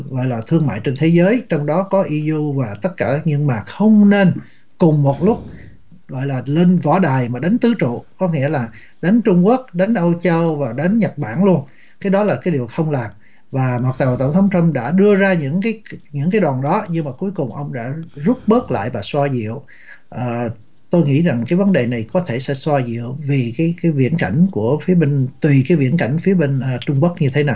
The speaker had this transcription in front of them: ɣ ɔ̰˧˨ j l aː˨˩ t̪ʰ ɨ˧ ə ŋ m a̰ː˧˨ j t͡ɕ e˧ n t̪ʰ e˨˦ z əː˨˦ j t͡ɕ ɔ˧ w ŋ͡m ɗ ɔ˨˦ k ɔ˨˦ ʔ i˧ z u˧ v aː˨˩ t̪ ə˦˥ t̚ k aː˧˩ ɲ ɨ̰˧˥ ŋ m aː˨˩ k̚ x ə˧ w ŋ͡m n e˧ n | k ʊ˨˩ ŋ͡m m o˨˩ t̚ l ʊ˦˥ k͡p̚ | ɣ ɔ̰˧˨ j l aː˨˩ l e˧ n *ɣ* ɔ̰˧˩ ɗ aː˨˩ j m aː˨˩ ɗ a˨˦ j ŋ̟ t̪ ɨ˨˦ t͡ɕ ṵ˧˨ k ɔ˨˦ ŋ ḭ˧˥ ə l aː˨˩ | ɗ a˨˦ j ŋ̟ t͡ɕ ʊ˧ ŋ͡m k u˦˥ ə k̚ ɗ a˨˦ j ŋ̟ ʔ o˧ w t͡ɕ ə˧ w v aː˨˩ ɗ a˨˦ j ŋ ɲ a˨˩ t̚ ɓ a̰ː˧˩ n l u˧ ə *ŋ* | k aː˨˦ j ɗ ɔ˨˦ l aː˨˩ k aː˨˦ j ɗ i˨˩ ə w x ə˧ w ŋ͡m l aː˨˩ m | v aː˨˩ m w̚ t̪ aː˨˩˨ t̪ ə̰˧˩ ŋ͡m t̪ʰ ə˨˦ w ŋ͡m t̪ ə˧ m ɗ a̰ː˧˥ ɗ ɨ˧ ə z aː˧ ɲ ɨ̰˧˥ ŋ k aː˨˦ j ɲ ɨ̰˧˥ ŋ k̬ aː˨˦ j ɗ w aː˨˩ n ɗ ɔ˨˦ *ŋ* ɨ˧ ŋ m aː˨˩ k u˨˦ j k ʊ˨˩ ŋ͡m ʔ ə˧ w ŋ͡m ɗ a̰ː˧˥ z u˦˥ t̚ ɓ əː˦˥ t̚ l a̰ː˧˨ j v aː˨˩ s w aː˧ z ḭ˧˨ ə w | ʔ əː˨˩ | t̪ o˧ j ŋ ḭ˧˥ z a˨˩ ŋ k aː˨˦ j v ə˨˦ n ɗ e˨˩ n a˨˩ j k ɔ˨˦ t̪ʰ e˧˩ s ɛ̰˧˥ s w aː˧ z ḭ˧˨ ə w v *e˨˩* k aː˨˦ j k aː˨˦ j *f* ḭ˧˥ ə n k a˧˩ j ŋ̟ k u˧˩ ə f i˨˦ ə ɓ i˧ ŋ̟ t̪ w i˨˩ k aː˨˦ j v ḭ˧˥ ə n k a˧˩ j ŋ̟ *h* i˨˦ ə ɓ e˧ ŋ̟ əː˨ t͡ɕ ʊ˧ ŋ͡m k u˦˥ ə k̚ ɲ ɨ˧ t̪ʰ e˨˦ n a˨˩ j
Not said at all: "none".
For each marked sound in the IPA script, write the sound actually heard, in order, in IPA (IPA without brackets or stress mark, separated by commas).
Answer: v, n, ɲ, i˨˩, v, f